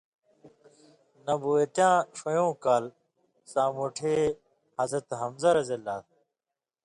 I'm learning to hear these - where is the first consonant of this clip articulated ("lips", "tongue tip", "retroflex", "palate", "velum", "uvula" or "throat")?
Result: tongue tip